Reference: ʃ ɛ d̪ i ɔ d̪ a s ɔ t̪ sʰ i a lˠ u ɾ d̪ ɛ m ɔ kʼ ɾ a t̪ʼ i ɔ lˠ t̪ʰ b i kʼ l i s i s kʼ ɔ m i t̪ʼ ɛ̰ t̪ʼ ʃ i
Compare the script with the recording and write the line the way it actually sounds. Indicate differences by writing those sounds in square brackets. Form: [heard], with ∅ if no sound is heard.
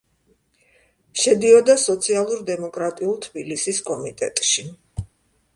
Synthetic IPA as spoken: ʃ ɛ d̪ i ɔ d̪ a s ɔ t̪ sʰ i a lˠ u ɾ d̪ ɛ m ɔ kʼ ɾ a t̪ʼ i [u] lˠ t̪ʰ b i [∅] l i s i s kʼ ɔ m i t̪ʼ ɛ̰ t̪ʼ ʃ i